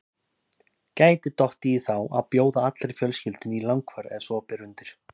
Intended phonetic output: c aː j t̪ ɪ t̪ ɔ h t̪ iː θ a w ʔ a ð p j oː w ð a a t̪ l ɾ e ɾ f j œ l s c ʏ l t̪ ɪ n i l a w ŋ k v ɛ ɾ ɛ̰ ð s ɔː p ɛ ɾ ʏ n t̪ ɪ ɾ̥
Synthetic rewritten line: c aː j t̪ ɪ t̪ ɔ h t̪ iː θ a w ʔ a ð p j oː w ð a a t̪ l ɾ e ɾ f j œ l s c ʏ l t̪ ɪ n i l a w ŋ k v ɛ ɾ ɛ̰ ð s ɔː p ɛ ɾ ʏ n t̪ ɪ ɾ̥